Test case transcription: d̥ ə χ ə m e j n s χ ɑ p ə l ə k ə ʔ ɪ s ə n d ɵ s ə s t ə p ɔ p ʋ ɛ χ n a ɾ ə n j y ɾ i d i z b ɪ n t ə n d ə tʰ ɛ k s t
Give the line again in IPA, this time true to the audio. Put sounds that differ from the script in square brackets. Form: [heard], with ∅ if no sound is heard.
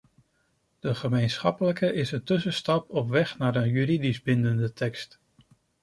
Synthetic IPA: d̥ ə χ ə m e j n s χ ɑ p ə l ə k ə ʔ ɪ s ə n [t] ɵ s ə s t [ɑ] p ɔ p ʋ ɛ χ n a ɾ ə n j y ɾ i d i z b ɪ n [d] ə n d ə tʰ ɛ k s t